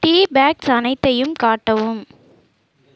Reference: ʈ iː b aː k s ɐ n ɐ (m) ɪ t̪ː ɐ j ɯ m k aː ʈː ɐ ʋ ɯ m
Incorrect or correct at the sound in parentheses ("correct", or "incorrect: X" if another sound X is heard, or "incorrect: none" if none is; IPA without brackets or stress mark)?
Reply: incorrect: none